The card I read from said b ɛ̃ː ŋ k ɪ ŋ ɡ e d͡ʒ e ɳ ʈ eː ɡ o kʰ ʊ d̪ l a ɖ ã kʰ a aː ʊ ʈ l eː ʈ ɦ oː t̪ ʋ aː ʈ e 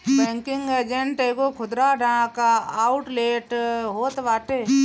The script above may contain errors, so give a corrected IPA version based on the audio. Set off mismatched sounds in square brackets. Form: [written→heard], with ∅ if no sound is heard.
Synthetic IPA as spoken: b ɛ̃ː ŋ k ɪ ŋ ɡ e d͡ʒ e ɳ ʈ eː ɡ o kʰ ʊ d̪ [l→ɾ] a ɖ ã [kʰ→k] a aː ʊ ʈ l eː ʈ ɦ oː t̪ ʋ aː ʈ e